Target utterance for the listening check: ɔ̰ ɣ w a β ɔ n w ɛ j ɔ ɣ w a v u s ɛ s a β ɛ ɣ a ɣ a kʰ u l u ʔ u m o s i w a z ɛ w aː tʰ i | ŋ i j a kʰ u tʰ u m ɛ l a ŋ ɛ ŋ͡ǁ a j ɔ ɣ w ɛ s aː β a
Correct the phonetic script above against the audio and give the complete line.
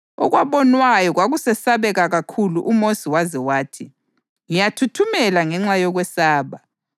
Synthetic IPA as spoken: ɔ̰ ɣ w a β ɔ n w a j ɔ ɣ w a ɣ u s ɛ s a β ɛ ɣ a ɣ a kʰ u l u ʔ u m o s i w a z ɛ w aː tʰ i | ŋ i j a tʰ u tʰ u m ɛ l a ŋ ɛ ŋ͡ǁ a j ɔ ɣ w ɛ s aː β a